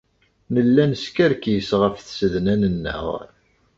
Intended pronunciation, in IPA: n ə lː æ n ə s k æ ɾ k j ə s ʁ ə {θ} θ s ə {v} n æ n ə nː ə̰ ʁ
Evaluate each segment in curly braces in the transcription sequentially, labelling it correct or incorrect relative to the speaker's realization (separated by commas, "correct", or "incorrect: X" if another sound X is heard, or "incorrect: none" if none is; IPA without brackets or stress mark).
incorrect: f, incorrect: ð